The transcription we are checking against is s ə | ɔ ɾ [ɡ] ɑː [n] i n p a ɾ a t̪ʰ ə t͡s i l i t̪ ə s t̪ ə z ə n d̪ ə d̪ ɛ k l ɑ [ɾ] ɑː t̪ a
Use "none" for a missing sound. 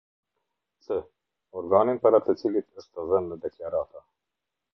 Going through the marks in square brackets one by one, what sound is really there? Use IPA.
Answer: ɡ, n, ɾ

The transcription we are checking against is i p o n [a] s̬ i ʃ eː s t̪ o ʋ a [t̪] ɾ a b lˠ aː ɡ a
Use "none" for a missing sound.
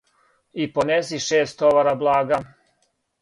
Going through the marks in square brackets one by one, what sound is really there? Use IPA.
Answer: e, none

